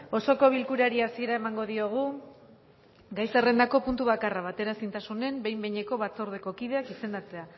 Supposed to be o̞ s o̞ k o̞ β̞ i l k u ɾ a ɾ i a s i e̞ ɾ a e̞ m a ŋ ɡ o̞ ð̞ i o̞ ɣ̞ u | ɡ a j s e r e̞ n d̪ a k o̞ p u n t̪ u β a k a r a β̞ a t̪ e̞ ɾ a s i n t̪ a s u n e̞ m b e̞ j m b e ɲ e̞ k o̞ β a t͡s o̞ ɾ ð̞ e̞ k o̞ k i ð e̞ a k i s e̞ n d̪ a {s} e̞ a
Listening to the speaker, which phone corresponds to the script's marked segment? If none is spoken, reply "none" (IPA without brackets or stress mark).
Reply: t͡s